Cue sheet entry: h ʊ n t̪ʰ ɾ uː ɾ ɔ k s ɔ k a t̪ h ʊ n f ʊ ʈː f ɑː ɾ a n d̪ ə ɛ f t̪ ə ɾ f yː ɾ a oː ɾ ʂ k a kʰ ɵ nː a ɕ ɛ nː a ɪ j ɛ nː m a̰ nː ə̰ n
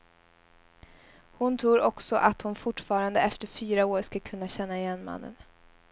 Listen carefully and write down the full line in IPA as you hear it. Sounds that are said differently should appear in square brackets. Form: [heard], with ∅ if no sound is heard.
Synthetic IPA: h ʊ n t̪ʰ ɾ uː ɾ ɔ k s ɔ [ʔ] a t̪ h ʊ n f ʊ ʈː f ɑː ɾ a n d̪ ə ɛ f t̪ ə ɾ f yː ɾ a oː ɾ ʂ k a kʰ ɵ nː a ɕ ɛ nː a ɪ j ɛ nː m a̰ nː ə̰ n